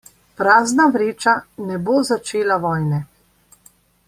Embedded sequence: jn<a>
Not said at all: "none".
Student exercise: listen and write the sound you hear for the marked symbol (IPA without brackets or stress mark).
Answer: ɛ